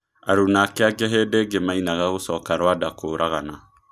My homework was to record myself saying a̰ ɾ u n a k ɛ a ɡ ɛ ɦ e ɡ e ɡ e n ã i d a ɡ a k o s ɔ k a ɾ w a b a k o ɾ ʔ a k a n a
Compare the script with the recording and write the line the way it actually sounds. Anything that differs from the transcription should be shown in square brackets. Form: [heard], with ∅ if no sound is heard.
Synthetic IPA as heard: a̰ ɾ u n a k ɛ a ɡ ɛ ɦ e [d] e ɡ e [m] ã i [n] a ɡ a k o s ɔ k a ɾ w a [d] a k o ɾ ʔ a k a n a